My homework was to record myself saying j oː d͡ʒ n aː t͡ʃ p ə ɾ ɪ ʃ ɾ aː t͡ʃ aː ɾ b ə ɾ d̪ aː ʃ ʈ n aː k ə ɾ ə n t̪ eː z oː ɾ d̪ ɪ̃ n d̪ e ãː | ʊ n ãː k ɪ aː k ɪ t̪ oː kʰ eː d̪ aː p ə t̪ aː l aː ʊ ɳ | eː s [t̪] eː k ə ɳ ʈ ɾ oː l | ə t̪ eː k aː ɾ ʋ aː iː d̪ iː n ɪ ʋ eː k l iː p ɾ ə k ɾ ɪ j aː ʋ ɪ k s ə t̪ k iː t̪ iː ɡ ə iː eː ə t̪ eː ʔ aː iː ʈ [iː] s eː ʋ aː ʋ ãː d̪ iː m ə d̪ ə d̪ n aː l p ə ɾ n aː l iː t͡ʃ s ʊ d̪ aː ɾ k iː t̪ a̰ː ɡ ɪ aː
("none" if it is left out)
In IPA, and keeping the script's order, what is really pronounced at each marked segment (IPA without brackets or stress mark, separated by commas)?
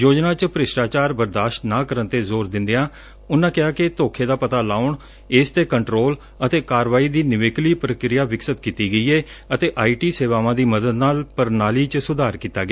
t̪, iː